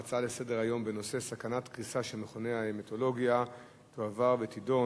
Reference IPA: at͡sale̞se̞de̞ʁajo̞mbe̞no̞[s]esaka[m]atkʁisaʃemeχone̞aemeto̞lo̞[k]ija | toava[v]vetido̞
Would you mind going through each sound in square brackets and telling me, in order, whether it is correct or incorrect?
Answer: correct, incorrect, incorrect, incorrect

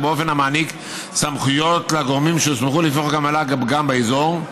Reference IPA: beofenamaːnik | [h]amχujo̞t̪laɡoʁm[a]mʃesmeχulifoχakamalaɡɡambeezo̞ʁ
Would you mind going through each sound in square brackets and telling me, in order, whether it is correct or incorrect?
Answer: incorrect, incorrect

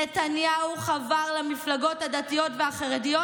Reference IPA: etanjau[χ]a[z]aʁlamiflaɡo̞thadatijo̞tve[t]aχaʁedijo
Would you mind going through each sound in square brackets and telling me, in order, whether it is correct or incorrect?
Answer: correct, incorrect, incorrect

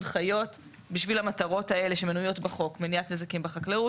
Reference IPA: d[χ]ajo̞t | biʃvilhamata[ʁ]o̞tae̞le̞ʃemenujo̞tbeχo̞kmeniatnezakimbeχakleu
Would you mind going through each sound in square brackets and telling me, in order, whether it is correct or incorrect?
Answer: correct, correct

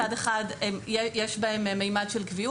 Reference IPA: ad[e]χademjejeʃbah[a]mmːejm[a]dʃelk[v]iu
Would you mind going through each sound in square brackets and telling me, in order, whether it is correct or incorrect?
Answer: correct, incorrect, correct, correct

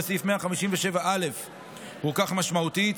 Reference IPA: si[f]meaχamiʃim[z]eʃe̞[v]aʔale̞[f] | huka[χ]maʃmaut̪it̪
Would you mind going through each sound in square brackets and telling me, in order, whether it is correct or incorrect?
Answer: correct, incorrect, correct, correct, correct

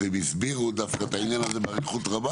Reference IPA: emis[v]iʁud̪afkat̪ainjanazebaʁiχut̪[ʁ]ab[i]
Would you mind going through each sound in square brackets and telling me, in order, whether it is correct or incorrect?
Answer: incorrect, correct, incorrect

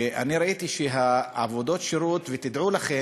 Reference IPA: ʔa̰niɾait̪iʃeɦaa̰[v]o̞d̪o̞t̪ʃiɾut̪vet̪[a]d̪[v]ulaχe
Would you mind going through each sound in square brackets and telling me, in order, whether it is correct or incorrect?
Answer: correct, incorrect, incorrect

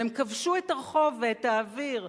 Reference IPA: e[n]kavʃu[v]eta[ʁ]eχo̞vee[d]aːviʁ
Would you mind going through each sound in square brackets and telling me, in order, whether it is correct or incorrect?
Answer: incorrect, incorrect, correct, incorrect

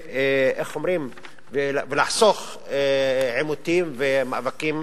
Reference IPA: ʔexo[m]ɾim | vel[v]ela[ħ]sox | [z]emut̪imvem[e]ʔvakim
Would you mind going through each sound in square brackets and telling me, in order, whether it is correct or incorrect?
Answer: correct, correct, correct, incorrect, incorrect

